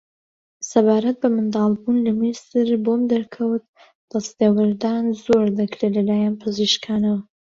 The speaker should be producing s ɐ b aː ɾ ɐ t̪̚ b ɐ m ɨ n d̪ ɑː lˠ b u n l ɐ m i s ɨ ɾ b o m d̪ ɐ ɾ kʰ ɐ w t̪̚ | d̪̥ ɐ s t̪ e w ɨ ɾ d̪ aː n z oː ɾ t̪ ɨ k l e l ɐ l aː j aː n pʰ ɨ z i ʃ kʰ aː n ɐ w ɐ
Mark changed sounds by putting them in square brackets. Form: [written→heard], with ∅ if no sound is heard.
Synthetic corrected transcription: s ɐ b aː ɾ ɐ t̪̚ b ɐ m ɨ n d̪ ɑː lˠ b u n l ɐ m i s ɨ ɾ b o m d̪ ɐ ɾ kʰ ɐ w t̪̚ | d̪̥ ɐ s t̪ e w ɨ ɾ d̪ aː n z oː ɾ [t̪→d̪] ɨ k [l→ɾ] e l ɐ l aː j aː n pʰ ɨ z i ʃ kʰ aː n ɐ w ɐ